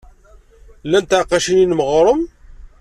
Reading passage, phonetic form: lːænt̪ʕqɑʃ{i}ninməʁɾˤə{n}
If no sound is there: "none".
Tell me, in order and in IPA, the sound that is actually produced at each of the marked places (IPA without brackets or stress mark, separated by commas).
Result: i, m